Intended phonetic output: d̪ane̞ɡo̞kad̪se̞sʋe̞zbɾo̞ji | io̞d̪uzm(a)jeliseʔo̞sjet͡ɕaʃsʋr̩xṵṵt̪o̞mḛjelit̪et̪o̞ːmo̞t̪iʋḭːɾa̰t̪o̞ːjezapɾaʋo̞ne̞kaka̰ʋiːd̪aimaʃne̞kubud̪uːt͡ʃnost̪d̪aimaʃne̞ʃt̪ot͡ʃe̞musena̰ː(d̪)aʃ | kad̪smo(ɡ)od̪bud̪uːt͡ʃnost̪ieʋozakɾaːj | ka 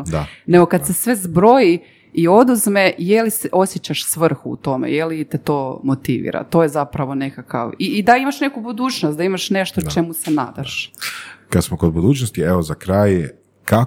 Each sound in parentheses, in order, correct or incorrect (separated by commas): incorrect, correct, incorrect